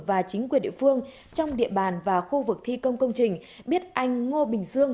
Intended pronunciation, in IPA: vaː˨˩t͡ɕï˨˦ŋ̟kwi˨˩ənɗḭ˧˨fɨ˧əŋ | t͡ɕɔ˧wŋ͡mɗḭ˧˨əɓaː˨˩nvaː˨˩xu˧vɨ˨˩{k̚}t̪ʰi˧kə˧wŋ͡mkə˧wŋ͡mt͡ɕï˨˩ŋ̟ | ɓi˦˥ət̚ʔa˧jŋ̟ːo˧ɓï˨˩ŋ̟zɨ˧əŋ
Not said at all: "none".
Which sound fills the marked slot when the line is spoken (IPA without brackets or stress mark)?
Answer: k̚